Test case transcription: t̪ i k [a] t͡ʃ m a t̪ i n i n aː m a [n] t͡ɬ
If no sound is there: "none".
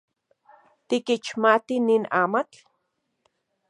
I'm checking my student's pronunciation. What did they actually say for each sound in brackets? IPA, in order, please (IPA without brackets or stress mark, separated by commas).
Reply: i, none